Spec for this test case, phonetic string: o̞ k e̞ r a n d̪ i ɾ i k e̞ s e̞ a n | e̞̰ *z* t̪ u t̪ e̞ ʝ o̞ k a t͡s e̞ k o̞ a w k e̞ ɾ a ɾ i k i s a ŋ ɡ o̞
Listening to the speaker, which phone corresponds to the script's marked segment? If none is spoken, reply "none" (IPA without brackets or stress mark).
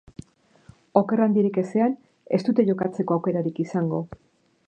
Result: s